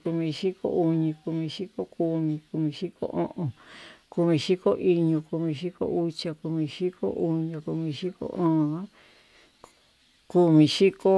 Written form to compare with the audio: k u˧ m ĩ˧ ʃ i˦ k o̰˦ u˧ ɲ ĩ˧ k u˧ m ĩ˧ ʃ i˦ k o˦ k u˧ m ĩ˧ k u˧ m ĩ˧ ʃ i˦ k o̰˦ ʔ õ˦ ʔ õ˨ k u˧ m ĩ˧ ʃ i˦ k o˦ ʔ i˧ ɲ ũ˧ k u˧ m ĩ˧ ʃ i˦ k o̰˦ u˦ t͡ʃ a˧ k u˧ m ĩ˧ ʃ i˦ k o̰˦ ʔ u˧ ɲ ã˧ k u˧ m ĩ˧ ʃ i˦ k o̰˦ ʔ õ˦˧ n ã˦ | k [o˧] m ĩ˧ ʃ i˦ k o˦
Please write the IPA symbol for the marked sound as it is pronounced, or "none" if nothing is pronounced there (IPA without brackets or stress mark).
u˧